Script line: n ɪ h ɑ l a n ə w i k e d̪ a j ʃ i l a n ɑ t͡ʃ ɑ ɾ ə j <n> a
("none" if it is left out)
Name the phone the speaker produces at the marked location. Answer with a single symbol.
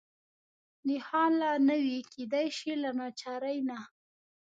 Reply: n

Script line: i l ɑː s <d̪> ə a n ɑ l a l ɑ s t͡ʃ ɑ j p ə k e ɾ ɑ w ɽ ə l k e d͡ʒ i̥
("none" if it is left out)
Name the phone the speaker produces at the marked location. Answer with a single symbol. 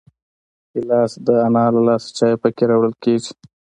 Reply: d̪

